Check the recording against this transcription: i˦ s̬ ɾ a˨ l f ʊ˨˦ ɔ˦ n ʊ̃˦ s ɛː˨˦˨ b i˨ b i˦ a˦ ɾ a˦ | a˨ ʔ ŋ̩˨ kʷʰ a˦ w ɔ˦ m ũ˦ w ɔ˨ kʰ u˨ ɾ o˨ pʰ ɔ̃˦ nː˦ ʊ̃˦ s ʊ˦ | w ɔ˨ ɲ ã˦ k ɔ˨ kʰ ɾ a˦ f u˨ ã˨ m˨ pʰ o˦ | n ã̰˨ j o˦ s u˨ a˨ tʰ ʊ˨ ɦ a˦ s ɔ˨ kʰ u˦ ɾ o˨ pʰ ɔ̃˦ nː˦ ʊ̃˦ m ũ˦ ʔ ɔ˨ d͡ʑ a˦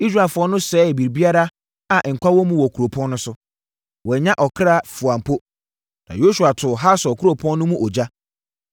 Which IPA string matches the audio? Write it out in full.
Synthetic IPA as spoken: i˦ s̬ ɾ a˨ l f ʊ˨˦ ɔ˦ n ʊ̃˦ s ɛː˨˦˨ b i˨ b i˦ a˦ ɾ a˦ | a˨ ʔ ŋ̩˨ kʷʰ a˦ w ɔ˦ m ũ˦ w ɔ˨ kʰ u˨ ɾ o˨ pʰ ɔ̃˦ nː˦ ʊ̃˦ s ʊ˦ | w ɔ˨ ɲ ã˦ ʔ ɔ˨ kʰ ɾ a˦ f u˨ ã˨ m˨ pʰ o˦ | n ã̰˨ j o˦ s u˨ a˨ tʰ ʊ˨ ɦ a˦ s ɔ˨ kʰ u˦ ɾ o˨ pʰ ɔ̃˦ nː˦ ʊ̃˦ m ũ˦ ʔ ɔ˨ d͡ʑ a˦

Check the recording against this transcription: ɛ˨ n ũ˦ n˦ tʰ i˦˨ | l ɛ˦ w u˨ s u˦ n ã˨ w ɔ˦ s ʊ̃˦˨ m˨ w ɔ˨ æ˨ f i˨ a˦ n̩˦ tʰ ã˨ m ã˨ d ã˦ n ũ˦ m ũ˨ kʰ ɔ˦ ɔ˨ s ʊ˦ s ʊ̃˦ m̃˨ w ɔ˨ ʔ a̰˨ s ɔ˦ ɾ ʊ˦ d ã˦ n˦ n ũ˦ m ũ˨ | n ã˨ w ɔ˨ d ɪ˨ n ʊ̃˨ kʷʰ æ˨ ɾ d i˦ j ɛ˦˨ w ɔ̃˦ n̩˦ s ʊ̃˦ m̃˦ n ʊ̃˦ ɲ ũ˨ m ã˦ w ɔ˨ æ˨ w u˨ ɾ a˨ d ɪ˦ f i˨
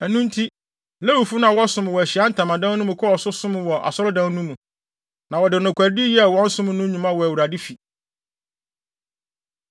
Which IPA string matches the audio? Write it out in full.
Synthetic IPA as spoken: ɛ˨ n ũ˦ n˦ tʰ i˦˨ | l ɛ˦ w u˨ f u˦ n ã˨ w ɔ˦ s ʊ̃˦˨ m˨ w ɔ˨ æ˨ ɕ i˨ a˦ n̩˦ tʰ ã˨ m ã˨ d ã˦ n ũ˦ m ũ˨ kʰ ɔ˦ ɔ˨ s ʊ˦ s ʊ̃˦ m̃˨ w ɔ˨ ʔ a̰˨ s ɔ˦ ɾ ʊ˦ d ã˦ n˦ n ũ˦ m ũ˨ | n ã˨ w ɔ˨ d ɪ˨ n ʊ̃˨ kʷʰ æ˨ ɾ d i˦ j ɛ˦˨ w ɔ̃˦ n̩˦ s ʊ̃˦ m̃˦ n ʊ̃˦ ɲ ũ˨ m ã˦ w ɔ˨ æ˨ w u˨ ɾ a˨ d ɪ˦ f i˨

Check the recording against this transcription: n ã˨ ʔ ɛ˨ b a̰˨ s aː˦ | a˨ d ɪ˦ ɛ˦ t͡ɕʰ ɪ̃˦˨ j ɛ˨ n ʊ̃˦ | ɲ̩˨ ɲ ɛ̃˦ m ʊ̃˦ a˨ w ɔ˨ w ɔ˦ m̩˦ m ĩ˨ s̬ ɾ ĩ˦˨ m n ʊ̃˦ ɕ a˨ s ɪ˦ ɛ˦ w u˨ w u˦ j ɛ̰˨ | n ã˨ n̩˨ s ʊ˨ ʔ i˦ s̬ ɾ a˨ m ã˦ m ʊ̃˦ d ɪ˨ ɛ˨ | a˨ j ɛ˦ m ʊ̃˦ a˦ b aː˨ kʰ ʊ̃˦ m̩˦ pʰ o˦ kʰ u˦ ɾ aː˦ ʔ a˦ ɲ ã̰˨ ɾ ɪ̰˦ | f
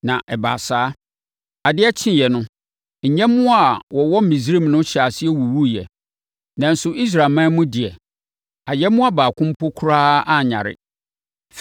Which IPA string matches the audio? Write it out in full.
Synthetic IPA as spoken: n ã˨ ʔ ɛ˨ b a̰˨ s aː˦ | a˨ d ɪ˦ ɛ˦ t͡ɕʰ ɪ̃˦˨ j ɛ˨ n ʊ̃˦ | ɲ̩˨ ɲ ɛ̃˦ m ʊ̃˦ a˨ w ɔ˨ w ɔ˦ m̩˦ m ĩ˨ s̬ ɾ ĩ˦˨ m n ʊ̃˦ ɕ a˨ s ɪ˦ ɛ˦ w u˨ w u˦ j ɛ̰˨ | n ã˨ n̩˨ s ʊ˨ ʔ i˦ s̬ ɾ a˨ m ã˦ m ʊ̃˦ d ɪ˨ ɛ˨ | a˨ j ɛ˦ m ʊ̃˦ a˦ b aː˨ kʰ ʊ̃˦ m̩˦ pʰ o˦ kʰ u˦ ɾ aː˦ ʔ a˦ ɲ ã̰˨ ɾ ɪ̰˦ | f

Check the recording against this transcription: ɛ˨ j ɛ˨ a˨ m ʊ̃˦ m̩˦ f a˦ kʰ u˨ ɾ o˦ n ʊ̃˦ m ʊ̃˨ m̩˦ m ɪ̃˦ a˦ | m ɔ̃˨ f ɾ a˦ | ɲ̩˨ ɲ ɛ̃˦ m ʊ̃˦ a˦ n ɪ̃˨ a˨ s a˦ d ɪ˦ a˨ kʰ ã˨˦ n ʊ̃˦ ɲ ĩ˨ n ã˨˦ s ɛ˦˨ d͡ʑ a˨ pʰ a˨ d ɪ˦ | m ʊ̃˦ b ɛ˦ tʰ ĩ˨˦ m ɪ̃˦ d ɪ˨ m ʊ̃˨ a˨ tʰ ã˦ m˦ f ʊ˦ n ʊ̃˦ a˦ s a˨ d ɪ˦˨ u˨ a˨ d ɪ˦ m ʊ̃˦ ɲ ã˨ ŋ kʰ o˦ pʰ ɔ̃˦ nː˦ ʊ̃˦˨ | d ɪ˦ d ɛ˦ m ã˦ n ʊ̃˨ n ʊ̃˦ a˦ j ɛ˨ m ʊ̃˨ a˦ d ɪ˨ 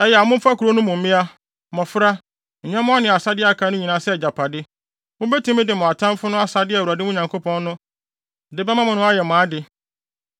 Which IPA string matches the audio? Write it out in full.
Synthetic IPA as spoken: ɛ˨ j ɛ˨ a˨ m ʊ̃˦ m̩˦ f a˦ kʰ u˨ ɾ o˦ n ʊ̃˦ m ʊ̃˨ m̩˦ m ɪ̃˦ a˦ | m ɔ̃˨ f ɾ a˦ | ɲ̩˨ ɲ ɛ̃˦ m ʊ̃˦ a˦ n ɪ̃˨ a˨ s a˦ d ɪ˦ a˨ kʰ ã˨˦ n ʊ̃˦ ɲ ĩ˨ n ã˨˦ s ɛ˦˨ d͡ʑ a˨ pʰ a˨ d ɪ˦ | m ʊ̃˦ b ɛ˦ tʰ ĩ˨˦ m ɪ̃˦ d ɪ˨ m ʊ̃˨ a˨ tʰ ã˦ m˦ f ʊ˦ n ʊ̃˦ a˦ s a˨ d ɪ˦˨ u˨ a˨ d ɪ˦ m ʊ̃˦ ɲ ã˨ ŋ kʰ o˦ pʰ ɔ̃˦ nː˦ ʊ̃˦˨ | d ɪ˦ b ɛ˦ m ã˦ m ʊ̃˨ n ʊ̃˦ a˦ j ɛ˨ m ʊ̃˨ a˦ d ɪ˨

